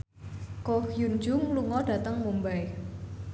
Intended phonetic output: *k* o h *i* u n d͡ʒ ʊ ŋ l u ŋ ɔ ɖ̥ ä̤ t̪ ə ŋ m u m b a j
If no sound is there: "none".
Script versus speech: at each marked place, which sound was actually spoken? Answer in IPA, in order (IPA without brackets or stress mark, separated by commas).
k, j